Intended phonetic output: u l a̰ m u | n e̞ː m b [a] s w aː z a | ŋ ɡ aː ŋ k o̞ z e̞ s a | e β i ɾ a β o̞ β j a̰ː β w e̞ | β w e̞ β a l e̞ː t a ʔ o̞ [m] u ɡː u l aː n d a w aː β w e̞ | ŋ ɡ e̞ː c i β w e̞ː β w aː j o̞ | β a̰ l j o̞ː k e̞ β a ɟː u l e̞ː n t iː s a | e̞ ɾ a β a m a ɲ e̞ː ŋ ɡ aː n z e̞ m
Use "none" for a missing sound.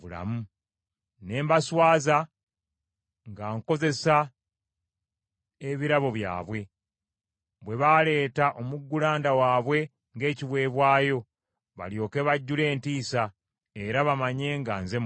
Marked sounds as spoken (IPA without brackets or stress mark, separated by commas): a, m